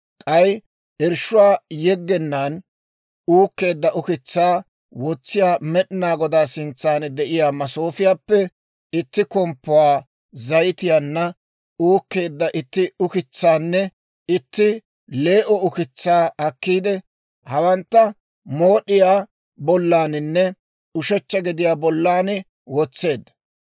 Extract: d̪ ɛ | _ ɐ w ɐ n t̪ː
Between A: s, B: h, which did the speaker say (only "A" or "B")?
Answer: B